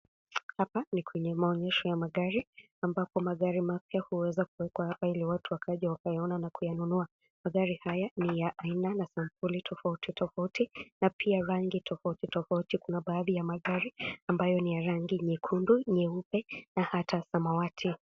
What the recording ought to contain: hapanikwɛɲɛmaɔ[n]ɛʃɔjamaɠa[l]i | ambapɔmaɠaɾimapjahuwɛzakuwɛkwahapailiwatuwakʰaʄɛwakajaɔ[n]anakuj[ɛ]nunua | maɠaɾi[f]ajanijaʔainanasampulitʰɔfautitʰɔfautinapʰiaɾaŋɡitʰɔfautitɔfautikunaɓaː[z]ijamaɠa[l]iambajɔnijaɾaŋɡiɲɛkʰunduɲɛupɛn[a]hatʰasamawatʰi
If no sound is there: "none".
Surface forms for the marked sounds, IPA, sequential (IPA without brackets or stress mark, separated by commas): ɲ, ɾ, n, a, h, ð, ɾ, a